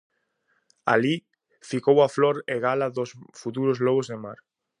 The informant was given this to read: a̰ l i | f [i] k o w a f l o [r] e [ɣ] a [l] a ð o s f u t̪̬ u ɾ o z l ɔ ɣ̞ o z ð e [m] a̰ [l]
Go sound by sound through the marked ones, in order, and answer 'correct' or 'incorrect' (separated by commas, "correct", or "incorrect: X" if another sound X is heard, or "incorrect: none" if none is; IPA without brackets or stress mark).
correct, incorrect: ɾ, correct, correct, correct, incorrect: ɾ